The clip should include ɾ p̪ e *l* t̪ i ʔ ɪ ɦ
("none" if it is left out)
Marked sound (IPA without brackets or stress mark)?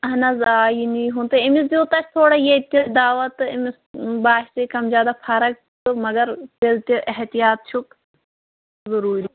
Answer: l